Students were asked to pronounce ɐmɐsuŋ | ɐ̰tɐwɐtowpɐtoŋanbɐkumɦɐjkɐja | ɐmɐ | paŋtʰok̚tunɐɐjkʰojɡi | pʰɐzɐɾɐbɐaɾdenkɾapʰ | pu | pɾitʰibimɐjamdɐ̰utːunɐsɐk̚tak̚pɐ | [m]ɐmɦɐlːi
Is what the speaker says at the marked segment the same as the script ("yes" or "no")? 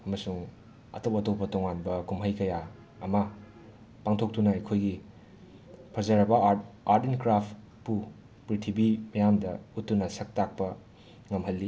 no